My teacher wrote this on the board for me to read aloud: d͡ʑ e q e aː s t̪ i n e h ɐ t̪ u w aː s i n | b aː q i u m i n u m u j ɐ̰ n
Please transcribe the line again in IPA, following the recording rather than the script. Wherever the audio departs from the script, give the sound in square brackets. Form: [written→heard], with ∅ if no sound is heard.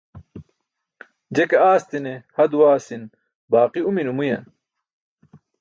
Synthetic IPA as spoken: d͡ʑ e [q→k] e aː s t̪ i n e h ɐ [t̪→d̪] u w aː s i n | b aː q i u m i n u m u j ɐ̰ n